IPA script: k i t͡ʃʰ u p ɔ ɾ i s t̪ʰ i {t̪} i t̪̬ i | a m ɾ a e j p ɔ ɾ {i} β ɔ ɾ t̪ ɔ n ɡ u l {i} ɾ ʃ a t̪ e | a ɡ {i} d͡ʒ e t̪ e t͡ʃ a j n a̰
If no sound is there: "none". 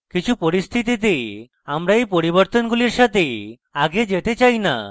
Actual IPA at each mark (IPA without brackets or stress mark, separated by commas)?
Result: t̪, i, i, e